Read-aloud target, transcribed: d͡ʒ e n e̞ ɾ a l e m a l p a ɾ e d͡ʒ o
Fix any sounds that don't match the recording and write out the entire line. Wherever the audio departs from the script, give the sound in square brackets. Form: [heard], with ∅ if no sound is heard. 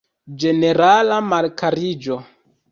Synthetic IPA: d͡ʒ e n e̞ ɾ a l [a] m a l [k] a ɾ [i] d͡ʒ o